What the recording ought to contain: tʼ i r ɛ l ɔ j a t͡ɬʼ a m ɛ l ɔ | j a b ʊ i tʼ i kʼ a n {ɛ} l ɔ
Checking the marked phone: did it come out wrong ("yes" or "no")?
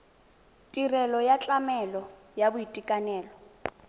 yes